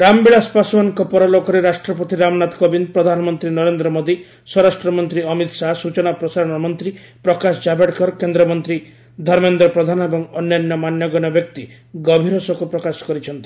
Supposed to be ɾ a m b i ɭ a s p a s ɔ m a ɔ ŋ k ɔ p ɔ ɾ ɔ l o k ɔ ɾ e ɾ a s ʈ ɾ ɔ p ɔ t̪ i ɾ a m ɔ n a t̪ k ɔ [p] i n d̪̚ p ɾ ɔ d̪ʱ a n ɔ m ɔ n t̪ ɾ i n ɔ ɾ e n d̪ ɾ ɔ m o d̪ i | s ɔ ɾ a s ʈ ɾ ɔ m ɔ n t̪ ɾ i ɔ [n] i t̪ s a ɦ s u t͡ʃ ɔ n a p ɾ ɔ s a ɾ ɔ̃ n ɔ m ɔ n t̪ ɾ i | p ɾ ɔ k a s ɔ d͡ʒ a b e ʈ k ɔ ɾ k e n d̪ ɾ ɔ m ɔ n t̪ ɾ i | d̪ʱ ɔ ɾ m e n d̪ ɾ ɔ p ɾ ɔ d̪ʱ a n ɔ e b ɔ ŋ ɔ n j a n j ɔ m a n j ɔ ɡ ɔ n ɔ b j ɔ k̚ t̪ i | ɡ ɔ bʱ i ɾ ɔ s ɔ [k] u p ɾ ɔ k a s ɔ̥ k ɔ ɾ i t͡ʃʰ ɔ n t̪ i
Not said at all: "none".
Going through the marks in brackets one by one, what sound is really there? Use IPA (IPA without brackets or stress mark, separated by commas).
b, m, k